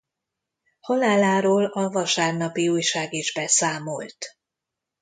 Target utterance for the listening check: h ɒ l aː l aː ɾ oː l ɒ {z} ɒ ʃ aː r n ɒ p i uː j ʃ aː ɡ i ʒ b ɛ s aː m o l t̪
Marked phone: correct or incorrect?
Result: incorrect